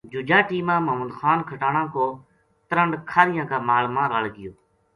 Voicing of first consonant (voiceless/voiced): voiced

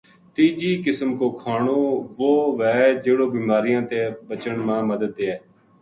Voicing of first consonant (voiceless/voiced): voiceless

